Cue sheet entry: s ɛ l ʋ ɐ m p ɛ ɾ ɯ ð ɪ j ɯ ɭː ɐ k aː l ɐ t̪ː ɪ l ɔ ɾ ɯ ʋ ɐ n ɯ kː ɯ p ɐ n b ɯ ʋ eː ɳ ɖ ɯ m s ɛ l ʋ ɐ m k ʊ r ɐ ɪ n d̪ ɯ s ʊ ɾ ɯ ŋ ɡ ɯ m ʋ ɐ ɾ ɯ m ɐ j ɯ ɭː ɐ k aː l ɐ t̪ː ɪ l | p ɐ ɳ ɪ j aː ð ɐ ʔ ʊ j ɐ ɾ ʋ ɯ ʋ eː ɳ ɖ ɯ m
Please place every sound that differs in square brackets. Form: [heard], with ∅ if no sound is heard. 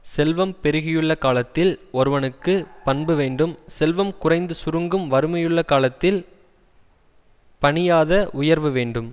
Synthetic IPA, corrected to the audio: s ɛ l ʋ ɐ m p ɛ ɾ ɯ [ɣ] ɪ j ɯ ɭː ɐ k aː l ɐ t̪ː ɪ l ɔ ɾ ɯ ʋ ɐ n ɯ kː ɯ p ɐ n b ɯ ʋ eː ɳ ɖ ɯ m s ɛ l ʋ ɐ m k ʊ r ɐ ɪ n d̪ ɯ s ʊ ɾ ɯ ŋ ɡ ɯ m ʋ ɐ ɾ ɯ m ɐ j ɯ ɭː ɐ k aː l ɐ t̪ː ɪ l | p ɐ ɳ ɪ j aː ð ɐ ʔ ʊ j ɐ ɾ ʋ ɯ ʋ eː ɳ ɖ ɯ m